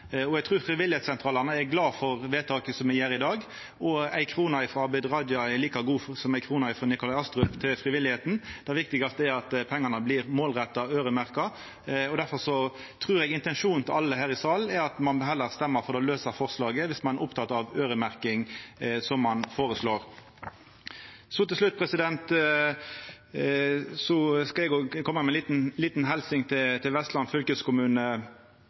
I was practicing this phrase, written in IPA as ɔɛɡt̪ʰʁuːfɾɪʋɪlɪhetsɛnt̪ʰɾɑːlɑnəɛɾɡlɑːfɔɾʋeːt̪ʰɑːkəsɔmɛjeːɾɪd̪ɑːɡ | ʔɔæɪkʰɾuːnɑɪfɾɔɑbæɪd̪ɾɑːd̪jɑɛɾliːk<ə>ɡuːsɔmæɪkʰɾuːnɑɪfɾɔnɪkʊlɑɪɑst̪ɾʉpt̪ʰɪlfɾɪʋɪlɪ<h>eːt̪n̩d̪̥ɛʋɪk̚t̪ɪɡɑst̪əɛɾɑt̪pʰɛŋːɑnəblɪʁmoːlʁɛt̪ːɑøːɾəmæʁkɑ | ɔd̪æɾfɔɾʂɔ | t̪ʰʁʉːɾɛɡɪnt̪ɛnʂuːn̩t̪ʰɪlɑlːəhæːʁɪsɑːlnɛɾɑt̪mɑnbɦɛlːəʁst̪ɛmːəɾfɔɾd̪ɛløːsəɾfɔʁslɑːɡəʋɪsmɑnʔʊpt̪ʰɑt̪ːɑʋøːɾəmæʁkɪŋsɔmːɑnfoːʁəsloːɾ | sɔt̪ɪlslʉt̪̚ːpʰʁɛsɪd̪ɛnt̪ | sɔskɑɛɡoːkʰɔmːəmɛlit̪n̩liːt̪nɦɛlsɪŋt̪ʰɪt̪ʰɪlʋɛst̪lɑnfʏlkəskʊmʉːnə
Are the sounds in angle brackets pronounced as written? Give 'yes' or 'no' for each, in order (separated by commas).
no, yes